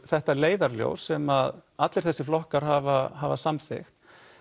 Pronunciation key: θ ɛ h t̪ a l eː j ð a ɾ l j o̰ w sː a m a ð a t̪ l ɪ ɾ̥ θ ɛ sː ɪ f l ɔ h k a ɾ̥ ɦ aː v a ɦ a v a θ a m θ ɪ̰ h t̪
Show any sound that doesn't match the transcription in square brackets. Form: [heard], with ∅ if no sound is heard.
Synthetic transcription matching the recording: θ ɛ h t̪ a l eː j ð a ɾ l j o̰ w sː [ɛ] m a ð a t̪ l ɪ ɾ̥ θ ɛ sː ɪ f l ɔ h k a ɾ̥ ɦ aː v a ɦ a v a [s] a m θ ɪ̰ [x] t̪